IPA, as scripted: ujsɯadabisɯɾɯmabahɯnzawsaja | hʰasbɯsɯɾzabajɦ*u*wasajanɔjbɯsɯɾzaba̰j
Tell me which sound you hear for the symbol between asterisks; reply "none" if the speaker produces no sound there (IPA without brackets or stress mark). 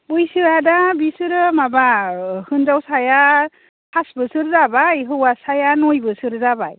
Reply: ɯ